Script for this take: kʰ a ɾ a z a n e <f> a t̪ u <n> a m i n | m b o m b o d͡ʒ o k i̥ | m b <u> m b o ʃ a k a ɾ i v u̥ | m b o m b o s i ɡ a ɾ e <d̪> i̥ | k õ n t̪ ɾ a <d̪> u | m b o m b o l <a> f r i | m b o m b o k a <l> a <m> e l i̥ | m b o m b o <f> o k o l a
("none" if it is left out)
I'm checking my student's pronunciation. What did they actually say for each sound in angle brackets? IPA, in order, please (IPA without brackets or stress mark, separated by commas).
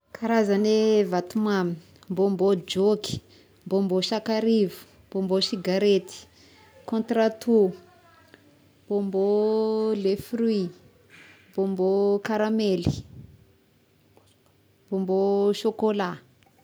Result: v, m, o, t̪, t̪, e, ɾ, m, ʃ